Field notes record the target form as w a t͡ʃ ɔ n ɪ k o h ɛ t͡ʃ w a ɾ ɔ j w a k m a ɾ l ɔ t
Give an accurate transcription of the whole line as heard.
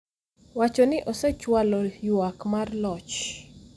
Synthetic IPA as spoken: w a t͡ʃ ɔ n ɪ ʔ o s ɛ t͡ʃ w a l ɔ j w a k m a r l ɔ t͡ʃ

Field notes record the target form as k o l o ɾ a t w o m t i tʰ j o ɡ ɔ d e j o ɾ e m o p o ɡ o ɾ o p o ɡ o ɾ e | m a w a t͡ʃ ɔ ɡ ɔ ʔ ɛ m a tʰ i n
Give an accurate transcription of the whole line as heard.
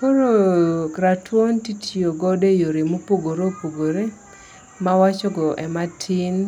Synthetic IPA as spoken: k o ɾ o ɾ a t w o n t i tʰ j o ɡ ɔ d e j o ɾ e m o p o ɡ o ɾ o p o ɡ o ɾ e | m a w a t͡ʃ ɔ ɡ ɔ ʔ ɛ m a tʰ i n

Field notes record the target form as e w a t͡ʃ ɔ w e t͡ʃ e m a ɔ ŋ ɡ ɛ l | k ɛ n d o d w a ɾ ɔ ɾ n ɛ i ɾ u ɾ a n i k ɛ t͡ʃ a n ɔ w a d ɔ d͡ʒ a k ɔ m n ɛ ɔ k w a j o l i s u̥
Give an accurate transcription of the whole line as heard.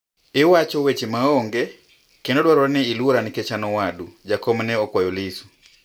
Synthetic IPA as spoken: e w a t͡ʃ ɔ w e t͡ʃ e m a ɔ ŋ ɡ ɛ | k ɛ n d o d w a ɾ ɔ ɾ n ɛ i l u ɾ a n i k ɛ t͡ʃ a n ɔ w a d u d͡ʒ a k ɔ m n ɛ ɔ k w a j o l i s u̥

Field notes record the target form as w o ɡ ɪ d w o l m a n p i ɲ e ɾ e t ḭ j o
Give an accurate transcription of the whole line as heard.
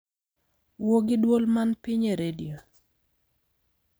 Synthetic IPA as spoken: w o ɡ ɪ d w o l m a n p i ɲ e ɾ e d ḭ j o

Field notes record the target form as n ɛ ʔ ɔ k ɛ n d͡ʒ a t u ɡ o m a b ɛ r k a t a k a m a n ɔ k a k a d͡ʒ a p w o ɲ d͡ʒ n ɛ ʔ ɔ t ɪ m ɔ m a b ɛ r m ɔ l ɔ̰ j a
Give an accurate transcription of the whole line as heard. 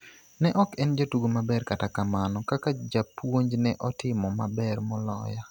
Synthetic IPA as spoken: n ɛ ʔ ɔ k ɛ n d͡ʒ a t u ɡ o m a b ɛ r k a t a k a m a n ɔ k a k a d͡ʒ a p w o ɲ d͡ʒ n ɛ ʔ ɔ t ɪ m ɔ m a b ɛ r m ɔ l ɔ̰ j a

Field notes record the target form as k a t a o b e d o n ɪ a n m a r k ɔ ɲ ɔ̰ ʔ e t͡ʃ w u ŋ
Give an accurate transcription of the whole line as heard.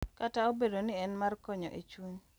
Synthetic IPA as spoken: k a t a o b e d o n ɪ ɛ n m a r k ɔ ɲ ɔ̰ ʔ e t͡ʃ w u ɲ

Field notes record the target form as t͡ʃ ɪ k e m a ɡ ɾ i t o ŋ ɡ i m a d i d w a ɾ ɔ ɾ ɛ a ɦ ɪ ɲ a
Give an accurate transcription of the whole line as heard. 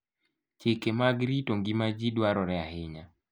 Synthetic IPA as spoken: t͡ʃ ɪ k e m a ɡ ɾ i t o ŋ ɡ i m a d͡ʒ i d w a ɾ ɔ ɾ ɛ a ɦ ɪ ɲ a

